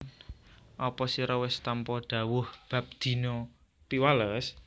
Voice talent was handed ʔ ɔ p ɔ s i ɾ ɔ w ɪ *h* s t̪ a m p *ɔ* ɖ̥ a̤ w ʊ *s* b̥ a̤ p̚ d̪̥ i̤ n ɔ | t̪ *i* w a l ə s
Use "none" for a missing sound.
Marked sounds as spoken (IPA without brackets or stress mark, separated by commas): none, ɔ, h, i